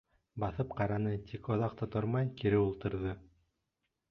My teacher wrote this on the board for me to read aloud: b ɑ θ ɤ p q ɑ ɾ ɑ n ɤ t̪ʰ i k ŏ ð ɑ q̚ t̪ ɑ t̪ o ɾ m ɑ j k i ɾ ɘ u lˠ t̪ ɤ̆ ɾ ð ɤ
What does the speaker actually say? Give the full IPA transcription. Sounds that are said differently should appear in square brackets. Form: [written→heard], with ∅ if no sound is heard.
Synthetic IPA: b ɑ θ ɤ p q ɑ ɾ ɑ n ɤ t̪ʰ i k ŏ ð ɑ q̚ t̪ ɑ t̪ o ɾ m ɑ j k i ɾ ɘ u lˠ t̪ ɤ̆ ɾ ð ɤ